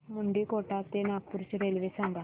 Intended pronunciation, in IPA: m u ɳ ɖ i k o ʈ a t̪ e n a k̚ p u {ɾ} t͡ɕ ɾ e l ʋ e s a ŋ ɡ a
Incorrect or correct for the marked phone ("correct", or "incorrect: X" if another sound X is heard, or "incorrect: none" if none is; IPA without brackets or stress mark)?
correct